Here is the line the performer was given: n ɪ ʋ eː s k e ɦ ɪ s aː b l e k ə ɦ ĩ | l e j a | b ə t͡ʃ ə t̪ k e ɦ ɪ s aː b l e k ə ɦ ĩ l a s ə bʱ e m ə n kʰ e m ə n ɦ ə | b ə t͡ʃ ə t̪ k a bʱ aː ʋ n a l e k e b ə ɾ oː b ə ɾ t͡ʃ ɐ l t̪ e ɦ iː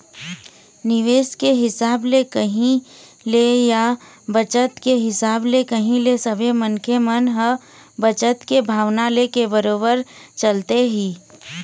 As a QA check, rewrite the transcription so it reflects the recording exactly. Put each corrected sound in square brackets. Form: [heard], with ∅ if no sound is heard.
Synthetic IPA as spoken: n ɪ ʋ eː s k e ɦ ɪ s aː b l e k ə ɦ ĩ | l e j a | b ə t͡ʃ ə t̪ k e ɦ ɪ s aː b l e k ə ɦ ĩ l [e] s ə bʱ e m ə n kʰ e m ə n ɦ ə | b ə t͡ʃ ə t̪ k [e] bʱ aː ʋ n a l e k e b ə ɾ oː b ə ɾ t͡ʃ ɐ l t̪ e ɦ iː